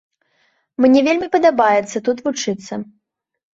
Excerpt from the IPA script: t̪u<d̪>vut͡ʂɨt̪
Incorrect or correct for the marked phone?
incorrect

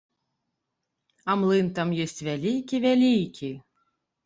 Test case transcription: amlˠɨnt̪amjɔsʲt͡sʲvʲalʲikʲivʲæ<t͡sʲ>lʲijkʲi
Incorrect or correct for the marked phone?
incorrect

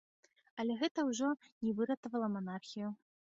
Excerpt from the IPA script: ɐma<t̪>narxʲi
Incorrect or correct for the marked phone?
incorrect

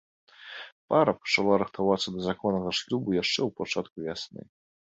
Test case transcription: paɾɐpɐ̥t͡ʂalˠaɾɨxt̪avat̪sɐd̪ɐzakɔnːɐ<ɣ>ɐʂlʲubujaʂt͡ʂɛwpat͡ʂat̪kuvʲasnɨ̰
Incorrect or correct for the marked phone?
correct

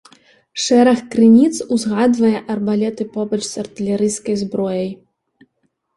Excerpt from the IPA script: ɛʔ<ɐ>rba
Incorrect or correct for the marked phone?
correct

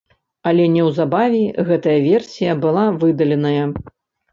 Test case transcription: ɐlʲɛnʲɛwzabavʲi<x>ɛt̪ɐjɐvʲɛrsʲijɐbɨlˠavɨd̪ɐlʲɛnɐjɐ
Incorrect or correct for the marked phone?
incorrect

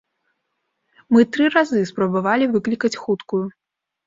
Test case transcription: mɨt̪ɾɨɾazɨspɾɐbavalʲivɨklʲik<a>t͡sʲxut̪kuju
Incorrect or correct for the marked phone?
incorrect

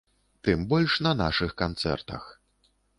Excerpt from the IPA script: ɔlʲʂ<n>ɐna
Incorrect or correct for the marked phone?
correct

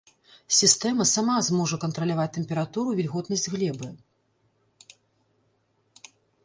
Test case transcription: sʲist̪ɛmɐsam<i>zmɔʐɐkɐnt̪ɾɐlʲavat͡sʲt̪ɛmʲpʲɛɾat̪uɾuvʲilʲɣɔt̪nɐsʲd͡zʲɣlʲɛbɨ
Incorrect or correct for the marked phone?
incorrect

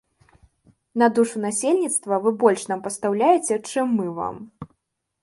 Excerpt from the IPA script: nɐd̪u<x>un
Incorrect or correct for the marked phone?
incorrect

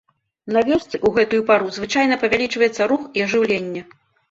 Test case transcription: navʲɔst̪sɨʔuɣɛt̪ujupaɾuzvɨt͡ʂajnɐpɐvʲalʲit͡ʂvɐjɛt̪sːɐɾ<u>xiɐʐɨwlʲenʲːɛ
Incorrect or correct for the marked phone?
correct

